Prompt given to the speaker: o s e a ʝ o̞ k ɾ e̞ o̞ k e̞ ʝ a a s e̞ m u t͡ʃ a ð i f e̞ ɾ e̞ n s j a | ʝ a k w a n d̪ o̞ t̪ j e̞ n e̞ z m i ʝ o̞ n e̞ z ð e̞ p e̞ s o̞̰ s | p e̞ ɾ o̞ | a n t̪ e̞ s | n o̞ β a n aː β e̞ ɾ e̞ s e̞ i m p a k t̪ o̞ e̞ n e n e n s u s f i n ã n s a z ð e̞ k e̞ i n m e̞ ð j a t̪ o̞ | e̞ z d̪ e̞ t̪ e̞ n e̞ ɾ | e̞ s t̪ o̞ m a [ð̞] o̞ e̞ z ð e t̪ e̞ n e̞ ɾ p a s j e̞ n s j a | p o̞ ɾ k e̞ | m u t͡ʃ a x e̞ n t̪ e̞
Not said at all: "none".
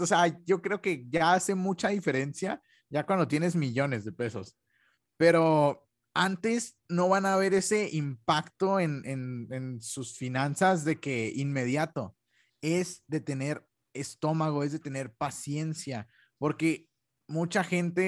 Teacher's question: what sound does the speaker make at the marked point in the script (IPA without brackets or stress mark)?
ɣ̞